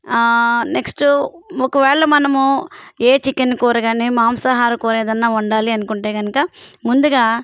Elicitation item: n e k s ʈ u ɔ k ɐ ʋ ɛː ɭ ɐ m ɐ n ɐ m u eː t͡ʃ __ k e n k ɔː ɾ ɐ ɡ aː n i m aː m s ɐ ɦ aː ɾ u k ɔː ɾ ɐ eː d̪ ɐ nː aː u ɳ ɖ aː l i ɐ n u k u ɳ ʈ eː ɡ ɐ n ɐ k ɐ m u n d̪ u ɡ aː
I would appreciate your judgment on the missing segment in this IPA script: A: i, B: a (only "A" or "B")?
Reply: A